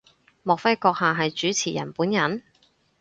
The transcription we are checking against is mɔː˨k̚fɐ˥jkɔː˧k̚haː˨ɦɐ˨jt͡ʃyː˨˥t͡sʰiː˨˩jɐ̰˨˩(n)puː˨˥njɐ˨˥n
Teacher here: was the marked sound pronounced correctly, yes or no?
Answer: yes